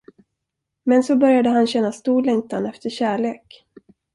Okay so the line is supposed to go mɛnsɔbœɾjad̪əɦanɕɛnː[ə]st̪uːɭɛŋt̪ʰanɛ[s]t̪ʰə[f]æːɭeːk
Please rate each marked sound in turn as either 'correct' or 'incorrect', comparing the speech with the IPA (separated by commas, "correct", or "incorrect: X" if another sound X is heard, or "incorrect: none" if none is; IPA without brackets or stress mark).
incorrect: a, incorrect: f, incorrect: ɕ